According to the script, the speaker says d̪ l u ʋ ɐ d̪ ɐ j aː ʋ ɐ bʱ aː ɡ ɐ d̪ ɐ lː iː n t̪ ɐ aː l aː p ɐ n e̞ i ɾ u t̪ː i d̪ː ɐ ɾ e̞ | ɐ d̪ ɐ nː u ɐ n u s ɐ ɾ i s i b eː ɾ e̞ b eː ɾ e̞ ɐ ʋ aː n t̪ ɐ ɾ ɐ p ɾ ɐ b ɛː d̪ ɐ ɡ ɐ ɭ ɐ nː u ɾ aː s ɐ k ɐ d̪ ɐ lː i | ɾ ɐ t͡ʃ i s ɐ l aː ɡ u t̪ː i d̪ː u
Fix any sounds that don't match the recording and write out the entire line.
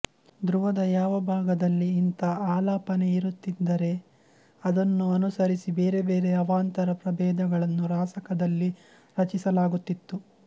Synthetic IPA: d̪ ɾ u ʋ ɐ d̪ ɐ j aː ʋ ɐ bʱ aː ɡ ɐ d̪ ɐ lː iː n t̪ ɐ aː l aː p ɐ n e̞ i ɾ u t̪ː i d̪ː ɐ ɾ e̞ | ɐ d̪ ɐ nː u ɐ n u s ɐ ɾ i s i b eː ɾ e̞ b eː ɾ e̞ ɐ ʋ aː n t̪ ɐ ɾ ɐ p ɾ ɐ b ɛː d̪ ɐ ɡ ɐ ɭ ɐ nː u ɾ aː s ɐ k ɐ d̪ ɐ lː i | ɾ ɐ t͡ʃ i s ɐ l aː ɡ u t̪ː i t̪ː u

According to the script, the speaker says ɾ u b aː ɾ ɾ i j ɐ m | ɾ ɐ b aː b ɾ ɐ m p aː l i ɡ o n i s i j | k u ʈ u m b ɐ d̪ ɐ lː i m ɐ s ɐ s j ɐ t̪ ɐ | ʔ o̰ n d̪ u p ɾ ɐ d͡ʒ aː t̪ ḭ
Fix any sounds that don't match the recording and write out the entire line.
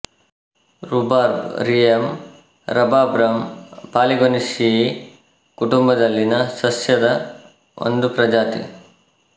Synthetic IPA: ɾ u b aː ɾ ɾ i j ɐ m | ɾ ɐ b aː b ɾ ɐ m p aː l i ɡ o n i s i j | k u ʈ u m b ɐ d̪ ɐ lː i n ɐ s ɐ s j ɐ d̪ ɐ | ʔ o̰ n d̪ u p ɾ ɐ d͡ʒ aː t̪ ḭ

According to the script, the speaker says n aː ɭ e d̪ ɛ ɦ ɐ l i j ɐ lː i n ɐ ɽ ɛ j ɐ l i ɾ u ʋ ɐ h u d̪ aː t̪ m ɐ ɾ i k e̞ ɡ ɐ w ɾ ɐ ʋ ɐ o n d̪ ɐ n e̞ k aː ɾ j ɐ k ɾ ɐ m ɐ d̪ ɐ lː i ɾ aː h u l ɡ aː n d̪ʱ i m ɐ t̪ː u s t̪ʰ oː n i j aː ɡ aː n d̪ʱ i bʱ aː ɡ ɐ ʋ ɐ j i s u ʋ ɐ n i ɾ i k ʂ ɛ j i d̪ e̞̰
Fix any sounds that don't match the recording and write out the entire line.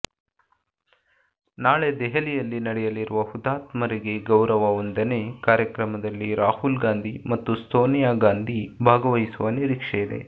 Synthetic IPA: n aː ɭ e d̪ ɛ ɦ ɐ l i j ɐ lː i n ɐ ɽ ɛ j ɐ l i ɾ u ʋ ɐ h u d̪ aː t̪ m ɐ ɾ i ɡ e̞ ɡ ɐ w ɾ ɐ ʋ ɐ o n d̪ ɐ n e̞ k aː ɾ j ɐ k ɾ ɐ m ɐ d̪ ɐ lː i ɾ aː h u l ɡ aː n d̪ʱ i m ɐ t̪ː u s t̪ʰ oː n i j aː ɡ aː n d̪ʱ i bʱ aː ɡ ɐ ʋ ɐ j i s u ʋ ɐ n i ɾ i k ʂ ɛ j i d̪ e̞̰

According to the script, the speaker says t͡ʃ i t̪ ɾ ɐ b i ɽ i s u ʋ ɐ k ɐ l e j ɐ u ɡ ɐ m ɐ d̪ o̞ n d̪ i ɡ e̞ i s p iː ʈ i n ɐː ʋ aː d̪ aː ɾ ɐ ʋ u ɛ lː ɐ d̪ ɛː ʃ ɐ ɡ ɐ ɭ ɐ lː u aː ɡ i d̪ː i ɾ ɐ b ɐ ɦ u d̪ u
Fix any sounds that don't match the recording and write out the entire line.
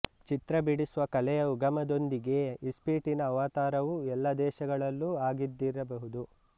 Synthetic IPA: t͡ʃ i t̪ ɾ ɐ b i ɽ i s u ʋ ɐ k ɐ l ɛ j ɐ u ɡ ɐ m ɐ d̪ o̞ n d̪ i ɡ e̞ i s p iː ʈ i n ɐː ʋ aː t̪ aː ɾ ɐ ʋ u ɛ lː ɐ d̪ ɛː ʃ ɐ ɡ ɐ ɭ ɐ lː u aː ɡ i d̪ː i ɾ ɐ b ɐ ɦ u d̪ u

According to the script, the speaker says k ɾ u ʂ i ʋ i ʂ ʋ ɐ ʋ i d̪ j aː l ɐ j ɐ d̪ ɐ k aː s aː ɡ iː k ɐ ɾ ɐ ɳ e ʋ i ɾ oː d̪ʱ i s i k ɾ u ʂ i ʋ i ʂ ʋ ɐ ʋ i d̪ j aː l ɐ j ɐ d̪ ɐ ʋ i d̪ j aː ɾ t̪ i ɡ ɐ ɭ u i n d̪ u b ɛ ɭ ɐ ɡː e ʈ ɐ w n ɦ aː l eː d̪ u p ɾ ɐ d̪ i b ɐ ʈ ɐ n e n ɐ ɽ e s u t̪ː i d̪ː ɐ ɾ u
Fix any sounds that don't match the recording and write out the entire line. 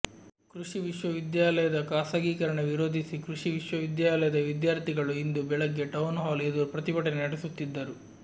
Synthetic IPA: k ɾ u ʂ i ʋ i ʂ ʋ ɐ ʋ i d̪ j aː l ɐ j ɐ d̪ ɐ k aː s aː ɡ iː k ɐ ɾ ɐ ɳ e ʋ i ɾ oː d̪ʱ i s i k ɾ u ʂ i ʋ i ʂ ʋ ɐ ʋ i d̪ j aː l ɐ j ɐ d̪ ɐ ʋ i d̪ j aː ɾ t̪ i ɡ ɐ ɭ u i n d̪ u b ɛ ɭ ɐ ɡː e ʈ ɐ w n ɦ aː l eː d̪ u p ɾ ɐ t̪ i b ɐ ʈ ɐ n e n ɐ ɽ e s u t̪ː i d̪ː ɐ ɾ u

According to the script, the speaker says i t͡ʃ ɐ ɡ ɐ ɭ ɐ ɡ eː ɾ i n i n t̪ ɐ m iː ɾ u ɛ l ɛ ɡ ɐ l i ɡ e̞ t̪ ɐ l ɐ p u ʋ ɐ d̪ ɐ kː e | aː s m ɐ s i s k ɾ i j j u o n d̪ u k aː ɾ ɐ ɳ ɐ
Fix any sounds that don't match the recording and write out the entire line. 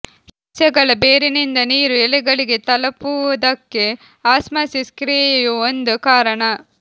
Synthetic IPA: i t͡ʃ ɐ ɡ ɐ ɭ ɐ b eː ɾ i n i n d̪ ɐ n iː ɾ u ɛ l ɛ ɡ ɐ ɭ i ɡ e̞ t̪ ɐ l ɐ p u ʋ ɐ d̪ ɐ kː e | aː s m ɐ s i s k ɾ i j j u o n d̪ u k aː ɾ ɐ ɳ ɐ

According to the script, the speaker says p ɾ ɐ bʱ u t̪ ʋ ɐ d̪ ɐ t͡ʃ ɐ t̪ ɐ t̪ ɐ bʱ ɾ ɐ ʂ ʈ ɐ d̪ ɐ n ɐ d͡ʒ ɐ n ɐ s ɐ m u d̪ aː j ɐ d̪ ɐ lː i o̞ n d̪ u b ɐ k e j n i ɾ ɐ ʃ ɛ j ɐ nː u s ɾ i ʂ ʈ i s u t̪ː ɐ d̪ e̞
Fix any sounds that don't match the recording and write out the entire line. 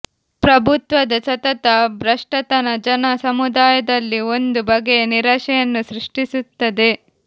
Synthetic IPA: p ɾ ɐ bʱ u t̪ ʋ ɐ d̪ ɐ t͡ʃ ɐ t̪ ɐ t̪ ɐ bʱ ɾ ɐ ʂ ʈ ɐ t̪ ɐ n ɐ d͡ʒ ɐ n ɐ s ɐ m u d̪ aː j ɐ d̪ ɐ lː i o̞ n d̪ u b ɐ ɡ e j n i ɾ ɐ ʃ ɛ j ɐ nː u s ɾ i ʂ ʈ i s u t̪ː ɐ d̪ e̞

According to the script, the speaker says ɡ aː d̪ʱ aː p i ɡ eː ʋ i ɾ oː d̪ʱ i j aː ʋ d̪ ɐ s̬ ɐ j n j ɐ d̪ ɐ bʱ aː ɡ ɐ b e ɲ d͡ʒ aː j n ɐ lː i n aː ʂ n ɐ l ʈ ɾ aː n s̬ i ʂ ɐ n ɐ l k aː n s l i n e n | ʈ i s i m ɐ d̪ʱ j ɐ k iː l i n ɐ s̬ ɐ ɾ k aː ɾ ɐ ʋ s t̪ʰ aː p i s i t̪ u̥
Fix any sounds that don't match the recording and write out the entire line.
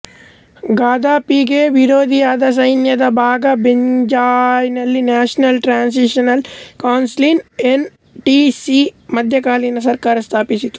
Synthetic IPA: ɡ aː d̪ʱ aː p i ɡ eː ʋ i ɾ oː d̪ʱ i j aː d̪ ɐ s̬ ɐ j n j ɐ d̪ ɐ bʱ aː ɡ ɐ b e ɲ d͡ʒ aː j n ɐ lː i n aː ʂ n ɐ l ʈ ɾ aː n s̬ i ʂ ɐ n ɐ l k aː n s l i n e n | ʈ i s i m ɐ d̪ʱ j ɐ k aː l i n ɐ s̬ ɐ ɾ k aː ɾ ɐ s t̪ʰ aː p i s i t̪ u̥

